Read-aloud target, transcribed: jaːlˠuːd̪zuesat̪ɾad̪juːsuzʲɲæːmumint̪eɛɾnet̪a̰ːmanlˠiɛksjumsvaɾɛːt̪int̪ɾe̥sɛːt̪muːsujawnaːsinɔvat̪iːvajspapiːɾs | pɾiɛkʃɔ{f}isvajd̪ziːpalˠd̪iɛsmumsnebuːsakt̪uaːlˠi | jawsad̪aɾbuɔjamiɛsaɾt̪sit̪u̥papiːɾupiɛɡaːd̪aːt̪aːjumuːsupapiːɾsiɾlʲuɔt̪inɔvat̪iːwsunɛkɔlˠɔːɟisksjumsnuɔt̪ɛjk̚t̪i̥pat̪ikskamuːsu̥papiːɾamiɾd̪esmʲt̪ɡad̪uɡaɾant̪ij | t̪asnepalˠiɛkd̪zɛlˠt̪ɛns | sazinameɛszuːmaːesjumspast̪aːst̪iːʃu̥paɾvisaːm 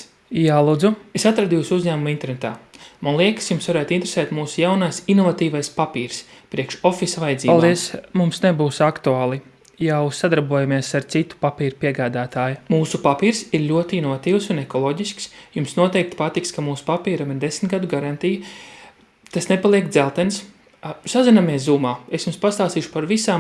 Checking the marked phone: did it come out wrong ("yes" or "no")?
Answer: no